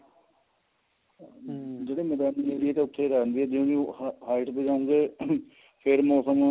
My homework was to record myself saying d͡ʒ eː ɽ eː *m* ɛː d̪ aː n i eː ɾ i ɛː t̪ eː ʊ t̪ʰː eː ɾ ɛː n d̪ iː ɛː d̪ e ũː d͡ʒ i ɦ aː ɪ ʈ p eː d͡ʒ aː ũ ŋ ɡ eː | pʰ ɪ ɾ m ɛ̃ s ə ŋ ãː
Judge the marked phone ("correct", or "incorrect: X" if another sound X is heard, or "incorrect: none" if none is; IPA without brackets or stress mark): correct